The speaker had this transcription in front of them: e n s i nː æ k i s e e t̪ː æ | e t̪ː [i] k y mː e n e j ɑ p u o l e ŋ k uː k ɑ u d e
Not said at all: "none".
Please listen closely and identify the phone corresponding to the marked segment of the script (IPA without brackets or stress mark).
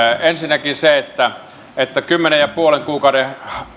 æ